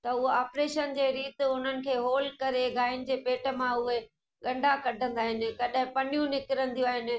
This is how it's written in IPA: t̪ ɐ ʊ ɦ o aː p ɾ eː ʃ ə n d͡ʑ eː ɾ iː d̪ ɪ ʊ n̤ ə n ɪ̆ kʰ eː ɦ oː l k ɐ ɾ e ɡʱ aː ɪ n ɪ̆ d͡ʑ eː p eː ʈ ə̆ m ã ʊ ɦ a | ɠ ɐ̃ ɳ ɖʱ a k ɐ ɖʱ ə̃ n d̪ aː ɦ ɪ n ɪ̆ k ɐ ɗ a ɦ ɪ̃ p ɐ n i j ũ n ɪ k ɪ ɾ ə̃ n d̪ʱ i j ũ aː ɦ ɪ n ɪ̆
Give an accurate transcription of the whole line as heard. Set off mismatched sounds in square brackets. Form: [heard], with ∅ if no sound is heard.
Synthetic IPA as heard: t̪ ɐ ʊ ɦ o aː p ɾ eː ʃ ə n d͡ʑ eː ɾ iː [t̪] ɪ ʊ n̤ ə n ɪ̆ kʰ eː ɦ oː l k ɐ ɾ e ɡʱ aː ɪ n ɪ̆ d͡ʑ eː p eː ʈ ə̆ m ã ʊ ɦ [e] | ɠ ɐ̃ ɳ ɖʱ a k ɐ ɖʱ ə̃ n d̪ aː ɦ ɪ n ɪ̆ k ɐ ɗ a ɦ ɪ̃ p ɐ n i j ũ n ɪ k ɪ ɾ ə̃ n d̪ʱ i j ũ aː ɦ ɪ n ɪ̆